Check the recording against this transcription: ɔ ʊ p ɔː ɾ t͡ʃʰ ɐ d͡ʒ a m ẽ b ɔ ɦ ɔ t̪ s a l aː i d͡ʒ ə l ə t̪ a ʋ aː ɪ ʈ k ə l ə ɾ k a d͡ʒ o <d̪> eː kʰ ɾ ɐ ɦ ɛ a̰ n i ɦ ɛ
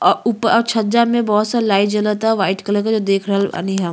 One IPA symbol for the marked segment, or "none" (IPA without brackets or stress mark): d̪